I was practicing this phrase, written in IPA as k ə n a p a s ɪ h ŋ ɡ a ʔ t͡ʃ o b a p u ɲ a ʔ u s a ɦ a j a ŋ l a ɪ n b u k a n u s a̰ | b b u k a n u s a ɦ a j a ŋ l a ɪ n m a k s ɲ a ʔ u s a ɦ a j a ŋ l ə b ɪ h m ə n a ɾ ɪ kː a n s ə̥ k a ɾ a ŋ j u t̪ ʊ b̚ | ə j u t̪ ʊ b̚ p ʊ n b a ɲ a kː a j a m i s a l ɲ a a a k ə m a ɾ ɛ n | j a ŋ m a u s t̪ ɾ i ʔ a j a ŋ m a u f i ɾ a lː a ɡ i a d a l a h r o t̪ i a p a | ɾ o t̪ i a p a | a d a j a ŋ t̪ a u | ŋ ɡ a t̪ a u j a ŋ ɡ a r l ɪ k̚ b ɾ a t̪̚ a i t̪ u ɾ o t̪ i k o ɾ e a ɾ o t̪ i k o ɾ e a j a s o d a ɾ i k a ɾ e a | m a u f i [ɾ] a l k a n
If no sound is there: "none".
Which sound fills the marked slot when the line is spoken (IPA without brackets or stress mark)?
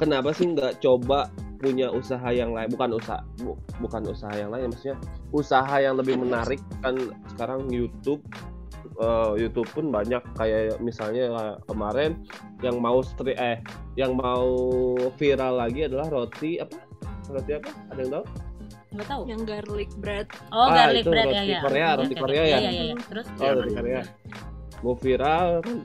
ɾ